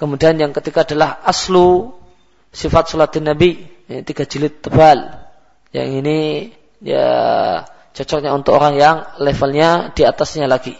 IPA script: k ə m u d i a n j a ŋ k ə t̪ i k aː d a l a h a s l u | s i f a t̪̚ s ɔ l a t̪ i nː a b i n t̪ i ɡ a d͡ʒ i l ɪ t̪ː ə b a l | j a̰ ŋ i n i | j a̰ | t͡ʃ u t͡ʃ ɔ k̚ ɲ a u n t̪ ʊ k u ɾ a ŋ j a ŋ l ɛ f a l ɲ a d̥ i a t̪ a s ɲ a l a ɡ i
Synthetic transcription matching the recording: k ə m u d i a n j a ŋ k ə t̪ i k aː d a l a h a s l u | s i f a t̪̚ s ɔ l a t̪ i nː a b i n t̪ i ɡ a d͡ʒ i l ɪ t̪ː ə b a l | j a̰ ŋ i n i | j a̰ | t͡ʃ ɔ t͡ʃ ɔ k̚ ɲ a u n t̪ ʊ k o ɾ a ŋ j a ŋ l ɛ f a l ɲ a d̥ i a t̪ a s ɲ a l a ɡ i